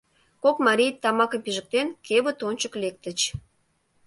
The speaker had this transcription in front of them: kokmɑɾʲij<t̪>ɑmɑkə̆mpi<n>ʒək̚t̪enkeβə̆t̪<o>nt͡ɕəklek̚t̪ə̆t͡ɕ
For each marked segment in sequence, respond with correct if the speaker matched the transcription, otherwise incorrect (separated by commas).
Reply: correct, incorrect, correct